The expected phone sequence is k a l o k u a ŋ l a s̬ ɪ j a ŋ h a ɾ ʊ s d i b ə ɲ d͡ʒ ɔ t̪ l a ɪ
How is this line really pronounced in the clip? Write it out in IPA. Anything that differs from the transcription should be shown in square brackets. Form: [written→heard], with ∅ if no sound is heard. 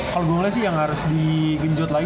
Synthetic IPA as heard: k a l o [k→ɡ] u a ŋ l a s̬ ɪ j a ŋ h a ɾ ʊ s d i [b→ɡ] ə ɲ d͡ʒ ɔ t̪ l a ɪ